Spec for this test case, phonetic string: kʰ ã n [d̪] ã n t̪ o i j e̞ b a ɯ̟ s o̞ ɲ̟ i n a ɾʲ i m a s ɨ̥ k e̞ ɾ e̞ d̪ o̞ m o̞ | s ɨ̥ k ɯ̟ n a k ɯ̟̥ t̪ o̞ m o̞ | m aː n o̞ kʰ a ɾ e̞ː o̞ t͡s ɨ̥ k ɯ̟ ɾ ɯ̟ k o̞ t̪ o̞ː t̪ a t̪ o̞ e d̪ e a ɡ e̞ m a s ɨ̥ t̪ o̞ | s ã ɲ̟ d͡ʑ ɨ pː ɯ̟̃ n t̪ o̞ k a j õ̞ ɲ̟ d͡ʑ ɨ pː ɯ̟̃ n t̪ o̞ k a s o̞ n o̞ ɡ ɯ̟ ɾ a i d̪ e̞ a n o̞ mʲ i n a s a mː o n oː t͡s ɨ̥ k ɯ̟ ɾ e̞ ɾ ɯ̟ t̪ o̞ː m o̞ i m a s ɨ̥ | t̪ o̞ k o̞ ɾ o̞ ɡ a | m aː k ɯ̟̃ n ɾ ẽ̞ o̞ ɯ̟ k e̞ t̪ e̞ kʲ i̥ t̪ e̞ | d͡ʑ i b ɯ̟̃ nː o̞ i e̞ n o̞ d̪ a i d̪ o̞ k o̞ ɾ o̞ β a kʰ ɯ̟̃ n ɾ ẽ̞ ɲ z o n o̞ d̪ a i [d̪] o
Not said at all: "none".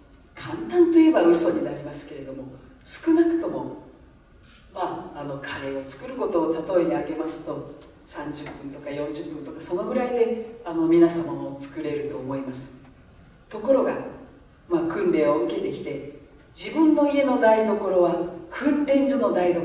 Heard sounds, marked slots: t̪, d̪

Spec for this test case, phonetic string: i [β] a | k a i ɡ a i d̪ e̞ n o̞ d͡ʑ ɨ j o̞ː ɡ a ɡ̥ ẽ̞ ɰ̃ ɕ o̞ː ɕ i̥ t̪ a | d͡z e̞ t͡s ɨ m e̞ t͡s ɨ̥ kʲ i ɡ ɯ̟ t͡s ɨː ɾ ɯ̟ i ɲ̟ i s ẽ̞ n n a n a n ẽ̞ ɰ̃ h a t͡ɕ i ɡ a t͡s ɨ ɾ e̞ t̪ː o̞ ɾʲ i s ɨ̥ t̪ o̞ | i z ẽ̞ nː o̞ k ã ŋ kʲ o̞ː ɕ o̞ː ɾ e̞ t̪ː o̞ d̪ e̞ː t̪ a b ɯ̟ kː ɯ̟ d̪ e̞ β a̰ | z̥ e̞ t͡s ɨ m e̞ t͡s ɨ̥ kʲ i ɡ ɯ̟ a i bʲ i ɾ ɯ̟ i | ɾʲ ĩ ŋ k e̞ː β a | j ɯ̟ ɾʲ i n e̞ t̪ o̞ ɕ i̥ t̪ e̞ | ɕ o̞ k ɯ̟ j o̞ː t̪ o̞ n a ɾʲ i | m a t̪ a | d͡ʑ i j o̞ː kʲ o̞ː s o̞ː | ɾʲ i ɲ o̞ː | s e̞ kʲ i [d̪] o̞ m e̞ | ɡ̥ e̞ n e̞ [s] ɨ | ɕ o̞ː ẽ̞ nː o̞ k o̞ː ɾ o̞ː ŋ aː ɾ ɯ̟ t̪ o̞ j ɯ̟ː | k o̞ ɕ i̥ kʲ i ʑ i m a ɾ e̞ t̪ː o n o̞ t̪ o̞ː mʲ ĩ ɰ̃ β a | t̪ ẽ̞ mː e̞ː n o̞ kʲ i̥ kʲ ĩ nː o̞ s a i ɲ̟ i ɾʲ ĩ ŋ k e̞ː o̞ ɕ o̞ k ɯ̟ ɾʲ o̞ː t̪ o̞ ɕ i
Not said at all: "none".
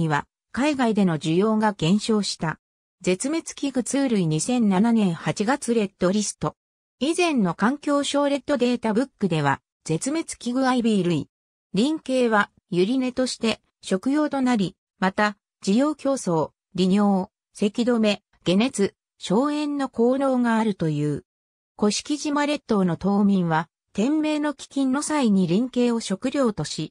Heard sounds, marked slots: β, d̪, t͡s

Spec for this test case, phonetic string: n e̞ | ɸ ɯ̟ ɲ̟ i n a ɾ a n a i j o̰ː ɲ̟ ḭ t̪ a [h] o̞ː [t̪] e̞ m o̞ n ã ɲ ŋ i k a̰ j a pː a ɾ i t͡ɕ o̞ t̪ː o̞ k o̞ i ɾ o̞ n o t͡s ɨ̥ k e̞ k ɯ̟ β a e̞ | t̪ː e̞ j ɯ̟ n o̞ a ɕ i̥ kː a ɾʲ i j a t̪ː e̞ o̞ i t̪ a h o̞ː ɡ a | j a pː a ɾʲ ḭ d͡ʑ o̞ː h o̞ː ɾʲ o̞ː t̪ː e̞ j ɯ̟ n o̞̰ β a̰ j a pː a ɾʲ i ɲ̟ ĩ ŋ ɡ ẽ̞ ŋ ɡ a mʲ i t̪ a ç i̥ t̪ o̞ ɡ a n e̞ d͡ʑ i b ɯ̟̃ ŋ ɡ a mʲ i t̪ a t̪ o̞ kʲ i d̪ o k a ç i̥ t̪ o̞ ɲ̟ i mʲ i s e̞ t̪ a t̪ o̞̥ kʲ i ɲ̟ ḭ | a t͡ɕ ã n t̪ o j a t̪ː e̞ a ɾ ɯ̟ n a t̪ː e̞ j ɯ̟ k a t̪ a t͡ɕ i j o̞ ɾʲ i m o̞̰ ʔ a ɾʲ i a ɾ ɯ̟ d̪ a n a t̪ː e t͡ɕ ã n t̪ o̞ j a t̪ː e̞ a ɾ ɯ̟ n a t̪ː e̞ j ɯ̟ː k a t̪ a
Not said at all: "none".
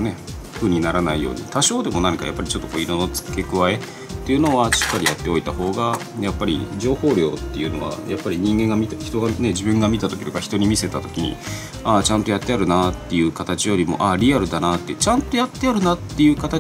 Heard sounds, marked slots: ɕ, d̪

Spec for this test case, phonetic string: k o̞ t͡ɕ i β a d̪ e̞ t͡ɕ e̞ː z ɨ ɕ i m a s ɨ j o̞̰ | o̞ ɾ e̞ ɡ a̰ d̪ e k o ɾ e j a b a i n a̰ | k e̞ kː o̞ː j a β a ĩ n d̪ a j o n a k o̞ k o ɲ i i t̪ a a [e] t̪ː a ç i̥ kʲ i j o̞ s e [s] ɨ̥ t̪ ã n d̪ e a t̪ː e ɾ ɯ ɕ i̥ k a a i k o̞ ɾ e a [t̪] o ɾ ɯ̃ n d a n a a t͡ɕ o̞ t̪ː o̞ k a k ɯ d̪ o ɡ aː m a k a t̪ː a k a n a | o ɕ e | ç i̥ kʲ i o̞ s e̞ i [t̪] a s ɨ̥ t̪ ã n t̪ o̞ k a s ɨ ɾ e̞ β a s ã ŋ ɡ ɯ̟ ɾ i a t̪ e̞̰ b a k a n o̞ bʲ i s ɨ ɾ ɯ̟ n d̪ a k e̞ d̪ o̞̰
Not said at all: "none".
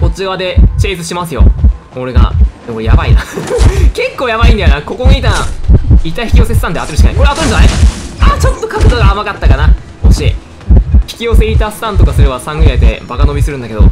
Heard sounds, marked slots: i, s, t̪, t̪

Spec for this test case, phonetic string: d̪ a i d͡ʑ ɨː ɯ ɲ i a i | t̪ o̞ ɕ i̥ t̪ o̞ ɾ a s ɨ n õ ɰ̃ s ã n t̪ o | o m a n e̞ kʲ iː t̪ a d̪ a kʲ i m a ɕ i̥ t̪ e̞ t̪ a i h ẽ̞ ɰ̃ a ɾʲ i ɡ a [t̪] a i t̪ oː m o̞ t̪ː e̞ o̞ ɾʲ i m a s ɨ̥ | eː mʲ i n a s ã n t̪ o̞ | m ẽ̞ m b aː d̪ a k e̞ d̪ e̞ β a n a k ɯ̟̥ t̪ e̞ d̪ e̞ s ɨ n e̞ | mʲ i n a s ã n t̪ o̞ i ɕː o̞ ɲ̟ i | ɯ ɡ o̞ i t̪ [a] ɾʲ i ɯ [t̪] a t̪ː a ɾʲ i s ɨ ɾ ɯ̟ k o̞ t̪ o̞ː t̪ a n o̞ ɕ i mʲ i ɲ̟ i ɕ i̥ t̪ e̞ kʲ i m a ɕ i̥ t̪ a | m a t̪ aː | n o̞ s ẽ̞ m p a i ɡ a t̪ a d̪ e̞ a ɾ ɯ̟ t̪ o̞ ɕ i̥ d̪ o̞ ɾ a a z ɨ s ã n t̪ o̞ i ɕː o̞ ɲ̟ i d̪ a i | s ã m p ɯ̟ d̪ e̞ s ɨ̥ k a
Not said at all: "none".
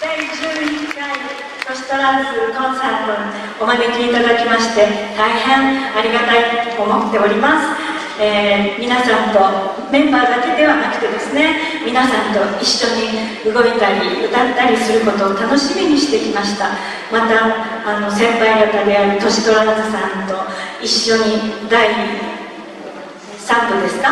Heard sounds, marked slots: t̪, a, t̪

